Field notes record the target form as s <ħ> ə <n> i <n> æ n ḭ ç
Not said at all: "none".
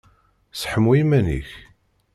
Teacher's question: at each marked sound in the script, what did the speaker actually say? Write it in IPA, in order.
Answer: ħ, m, m

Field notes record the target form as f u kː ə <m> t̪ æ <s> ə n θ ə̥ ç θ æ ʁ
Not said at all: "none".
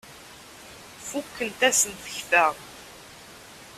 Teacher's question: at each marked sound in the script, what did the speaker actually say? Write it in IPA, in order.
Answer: n, s

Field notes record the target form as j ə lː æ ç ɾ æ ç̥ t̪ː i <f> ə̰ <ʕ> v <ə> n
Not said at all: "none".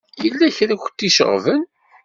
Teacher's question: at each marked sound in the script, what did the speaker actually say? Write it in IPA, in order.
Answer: ʃ, ʁ, ə

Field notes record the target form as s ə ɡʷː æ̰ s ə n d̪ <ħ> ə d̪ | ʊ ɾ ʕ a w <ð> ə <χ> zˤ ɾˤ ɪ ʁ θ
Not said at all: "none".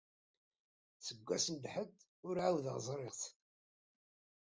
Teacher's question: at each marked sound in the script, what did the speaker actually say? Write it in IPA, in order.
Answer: ħ, ð, ʁ

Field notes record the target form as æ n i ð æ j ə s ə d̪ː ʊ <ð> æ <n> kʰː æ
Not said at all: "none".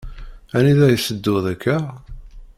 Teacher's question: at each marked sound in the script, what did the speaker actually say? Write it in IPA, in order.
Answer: ð, none

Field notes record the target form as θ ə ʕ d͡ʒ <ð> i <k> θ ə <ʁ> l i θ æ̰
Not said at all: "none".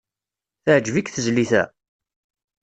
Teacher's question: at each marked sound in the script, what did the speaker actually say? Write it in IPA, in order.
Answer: v, k, z

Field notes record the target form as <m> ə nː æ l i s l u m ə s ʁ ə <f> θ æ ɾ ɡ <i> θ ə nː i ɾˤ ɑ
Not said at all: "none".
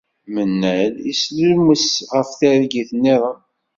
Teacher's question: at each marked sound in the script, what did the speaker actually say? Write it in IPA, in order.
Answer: m, f, i

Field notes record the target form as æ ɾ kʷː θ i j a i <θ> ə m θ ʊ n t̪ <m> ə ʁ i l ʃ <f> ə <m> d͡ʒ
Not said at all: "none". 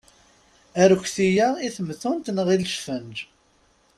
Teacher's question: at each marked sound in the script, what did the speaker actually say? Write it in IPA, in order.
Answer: θ, n, f, n

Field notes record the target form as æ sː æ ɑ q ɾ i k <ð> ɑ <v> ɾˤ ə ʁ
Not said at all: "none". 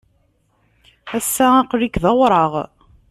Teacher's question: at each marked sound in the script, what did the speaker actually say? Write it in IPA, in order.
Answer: ð, w

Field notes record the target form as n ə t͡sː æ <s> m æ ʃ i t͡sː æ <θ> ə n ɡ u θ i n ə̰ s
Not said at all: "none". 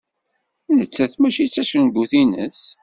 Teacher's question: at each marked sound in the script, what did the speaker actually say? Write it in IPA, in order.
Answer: θ, ʃ

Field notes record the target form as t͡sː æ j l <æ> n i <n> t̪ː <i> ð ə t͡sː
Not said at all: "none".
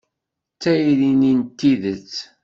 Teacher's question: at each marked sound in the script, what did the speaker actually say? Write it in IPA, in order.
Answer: i, n, i

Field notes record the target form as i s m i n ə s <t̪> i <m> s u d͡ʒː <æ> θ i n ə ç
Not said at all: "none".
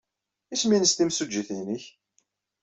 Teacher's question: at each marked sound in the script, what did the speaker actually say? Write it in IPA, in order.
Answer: t̪, m, i

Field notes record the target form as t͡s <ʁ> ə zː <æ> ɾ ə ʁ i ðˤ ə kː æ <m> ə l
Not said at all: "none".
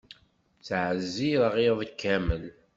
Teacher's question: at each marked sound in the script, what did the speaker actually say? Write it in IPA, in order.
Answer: ʕ, i, m

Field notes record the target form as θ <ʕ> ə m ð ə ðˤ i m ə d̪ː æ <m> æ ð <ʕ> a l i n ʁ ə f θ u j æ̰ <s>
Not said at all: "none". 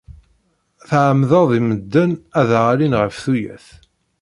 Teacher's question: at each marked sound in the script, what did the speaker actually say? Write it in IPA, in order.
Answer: ʕ, n, ʁ, θ

